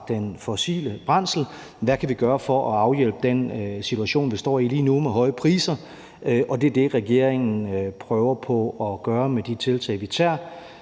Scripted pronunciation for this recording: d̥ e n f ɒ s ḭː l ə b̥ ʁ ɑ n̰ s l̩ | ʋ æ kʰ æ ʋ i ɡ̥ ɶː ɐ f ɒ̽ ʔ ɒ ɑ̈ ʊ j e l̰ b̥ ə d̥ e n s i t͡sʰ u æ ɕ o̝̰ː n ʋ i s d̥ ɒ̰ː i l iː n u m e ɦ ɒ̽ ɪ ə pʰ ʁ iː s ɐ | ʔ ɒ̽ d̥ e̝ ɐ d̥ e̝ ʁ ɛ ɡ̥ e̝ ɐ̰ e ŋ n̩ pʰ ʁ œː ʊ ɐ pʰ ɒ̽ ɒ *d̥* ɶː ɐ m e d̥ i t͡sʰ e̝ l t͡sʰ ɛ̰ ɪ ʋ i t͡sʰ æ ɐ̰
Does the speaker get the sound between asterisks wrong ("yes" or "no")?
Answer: yes